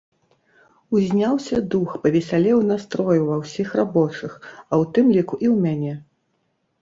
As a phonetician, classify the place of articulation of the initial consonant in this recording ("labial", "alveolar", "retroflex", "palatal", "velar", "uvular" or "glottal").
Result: alveolar